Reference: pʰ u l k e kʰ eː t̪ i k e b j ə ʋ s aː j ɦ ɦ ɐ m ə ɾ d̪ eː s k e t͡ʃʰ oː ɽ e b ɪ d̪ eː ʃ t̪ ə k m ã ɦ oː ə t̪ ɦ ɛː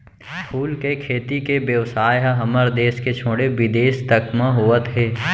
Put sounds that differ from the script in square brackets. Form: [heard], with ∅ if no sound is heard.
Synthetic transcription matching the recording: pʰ [uː] l k e kʰ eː t̪ i k e b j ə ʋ s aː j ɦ ɦ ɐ m ə ɾ d̪ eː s k e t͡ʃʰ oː ɽ e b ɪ d̪ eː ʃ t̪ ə k m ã ɦ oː ə t̪ ɦ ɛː